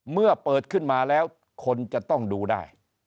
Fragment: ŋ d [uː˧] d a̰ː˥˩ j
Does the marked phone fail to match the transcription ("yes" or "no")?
no